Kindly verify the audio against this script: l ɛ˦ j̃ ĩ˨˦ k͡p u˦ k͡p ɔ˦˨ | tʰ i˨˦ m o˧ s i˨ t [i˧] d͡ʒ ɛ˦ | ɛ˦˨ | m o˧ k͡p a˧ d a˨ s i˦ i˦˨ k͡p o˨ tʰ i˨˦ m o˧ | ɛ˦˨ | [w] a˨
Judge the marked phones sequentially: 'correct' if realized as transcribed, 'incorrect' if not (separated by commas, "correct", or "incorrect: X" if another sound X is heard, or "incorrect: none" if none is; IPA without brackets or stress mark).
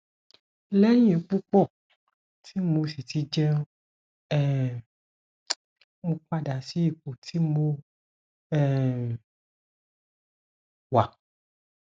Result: correct, correct